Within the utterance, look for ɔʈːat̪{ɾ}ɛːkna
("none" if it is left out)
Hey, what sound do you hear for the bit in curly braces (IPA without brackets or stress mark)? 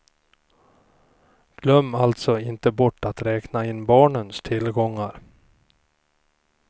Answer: ɾ